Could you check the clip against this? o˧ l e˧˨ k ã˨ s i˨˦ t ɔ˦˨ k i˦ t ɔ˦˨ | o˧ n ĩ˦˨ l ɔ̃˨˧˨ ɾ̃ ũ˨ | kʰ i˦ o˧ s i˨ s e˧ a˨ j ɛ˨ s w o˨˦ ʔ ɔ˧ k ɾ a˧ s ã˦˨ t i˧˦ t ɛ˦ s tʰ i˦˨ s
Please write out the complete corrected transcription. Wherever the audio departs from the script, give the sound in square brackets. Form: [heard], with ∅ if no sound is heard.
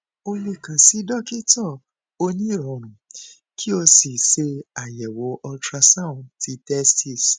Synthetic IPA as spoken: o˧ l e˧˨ k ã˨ s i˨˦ [d] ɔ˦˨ k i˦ t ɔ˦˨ | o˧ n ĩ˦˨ [ɾ] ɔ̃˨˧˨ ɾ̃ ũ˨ | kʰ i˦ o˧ s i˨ s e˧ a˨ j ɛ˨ [∅] w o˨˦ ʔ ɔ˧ [t] ɾ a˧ s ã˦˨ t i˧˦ t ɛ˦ s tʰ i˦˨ s